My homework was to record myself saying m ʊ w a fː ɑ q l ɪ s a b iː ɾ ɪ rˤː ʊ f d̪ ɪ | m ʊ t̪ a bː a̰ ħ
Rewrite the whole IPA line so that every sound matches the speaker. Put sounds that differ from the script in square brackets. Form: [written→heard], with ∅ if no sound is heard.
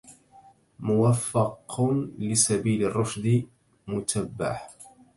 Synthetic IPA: m ʊ w a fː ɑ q l ɪ s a b iː [ɾ→l] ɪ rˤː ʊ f d̪ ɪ | m ʊ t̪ a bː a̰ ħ